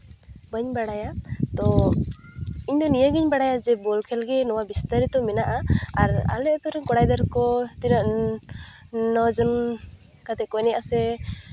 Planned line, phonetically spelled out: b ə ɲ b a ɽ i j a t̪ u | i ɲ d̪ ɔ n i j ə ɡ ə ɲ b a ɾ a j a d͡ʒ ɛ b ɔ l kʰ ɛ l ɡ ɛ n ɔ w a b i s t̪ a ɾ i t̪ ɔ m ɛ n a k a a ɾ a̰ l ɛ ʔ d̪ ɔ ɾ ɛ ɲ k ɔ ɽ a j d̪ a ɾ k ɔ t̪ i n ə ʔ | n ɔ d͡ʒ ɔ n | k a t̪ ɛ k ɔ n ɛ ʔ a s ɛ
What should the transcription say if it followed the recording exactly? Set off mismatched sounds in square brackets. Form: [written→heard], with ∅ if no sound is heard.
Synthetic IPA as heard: b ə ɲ b a ɽ [i→a] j a t̪ [u→ɔ] | i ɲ d̪ ɔ n i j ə ɡ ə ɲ b a [ɾ→ɽ] a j a d͡ʒ ɛ b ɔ l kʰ ɛ l ɡ ɛ n ɔ w a b i s t̪ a ɾ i t̪ ɔ m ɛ n a [k→ʔ] a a ɾ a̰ l ɛ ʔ [d̪→t̪] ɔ ɾ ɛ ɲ k ɔ ɽ a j d̪ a ɾ k ɔ t̪ i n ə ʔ | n ɔ d͡ʒ ɔ n | k a t̪ ɛ k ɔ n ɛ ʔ a s ɛ